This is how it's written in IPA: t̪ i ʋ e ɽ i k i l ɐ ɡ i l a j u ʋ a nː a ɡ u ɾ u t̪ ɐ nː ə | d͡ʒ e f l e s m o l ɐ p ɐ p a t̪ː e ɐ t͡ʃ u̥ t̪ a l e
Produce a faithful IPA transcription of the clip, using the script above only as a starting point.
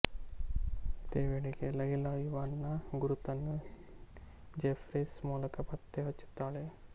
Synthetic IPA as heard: t̪ e ʋ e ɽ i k e l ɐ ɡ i l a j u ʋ a nː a ɡ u ɾ u t̪ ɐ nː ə | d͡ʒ e f ɾ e s m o l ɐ k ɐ p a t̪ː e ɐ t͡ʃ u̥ t̪ a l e